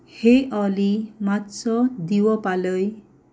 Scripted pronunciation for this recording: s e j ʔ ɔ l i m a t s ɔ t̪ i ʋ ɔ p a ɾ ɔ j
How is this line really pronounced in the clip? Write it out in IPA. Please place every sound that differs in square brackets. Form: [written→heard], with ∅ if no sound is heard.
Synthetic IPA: [s→h] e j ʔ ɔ l i m a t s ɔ [t̪→d̪] i [ʋ→w] ɔ p a [ɾ→l] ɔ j